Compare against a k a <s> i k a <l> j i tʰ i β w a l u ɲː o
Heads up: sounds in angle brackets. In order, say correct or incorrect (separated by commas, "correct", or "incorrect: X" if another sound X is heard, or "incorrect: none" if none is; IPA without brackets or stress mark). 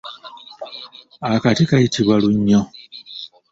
incorrect: t, incorrect: none